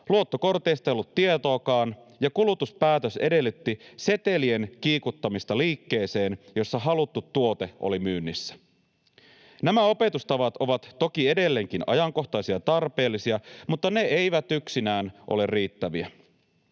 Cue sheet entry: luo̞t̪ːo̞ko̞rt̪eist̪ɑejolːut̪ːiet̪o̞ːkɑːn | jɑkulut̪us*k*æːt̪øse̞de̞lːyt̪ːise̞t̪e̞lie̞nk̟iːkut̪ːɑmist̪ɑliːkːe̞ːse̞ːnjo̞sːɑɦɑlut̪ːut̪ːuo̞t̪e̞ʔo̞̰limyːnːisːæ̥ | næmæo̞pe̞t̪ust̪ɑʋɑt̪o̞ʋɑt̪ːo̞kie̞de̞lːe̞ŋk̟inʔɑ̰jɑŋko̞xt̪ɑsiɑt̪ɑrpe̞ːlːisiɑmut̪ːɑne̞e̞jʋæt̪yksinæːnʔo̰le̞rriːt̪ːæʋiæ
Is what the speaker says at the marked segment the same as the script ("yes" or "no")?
no